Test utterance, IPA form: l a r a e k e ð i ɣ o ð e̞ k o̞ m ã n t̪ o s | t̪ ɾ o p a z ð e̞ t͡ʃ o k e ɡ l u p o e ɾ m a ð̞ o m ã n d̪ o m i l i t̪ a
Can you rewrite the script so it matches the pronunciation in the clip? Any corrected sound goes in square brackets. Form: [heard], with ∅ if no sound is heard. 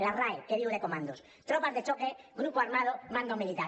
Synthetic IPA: l a r a e k e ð i ɣ o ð e̞ k o̞ m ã n [d̪] o s | t̪ ɾ o p a z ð e̞ t͡ʃ o k e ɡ [ɾ] u p o [a] ɾ m a ð̞ o m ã n d̪ o m i l i t̪ a